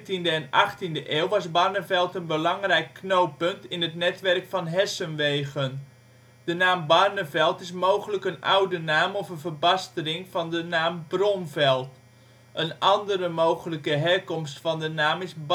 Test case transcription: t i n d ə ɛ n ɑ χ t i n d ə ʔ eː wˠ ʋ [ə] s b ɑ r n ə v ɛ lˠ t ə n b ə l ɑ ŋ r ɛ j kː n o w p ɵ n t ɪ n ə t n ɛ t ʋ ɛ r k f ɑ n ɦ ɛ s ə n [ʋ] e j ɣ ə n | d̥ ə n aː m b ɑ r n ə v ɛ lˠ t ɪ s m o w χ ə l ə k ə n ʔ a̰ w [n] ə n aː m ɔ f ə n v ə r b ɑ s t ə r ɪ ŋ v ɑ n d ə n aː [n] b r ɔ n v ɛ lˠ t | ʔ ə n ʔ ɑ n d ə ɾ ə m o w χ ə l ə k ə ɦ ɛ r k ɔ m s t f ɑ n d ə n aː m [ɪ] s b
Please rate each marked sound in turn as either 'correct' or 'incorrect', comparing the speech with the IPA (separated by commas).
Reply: incorrect, correct, incorrect, incorrect, correct